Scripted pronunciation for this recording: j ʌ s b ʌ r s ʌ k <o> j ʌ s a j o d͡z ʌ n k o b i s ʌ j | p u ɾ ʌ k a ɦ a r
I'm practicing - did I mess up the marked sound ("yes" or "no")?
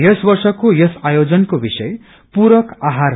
no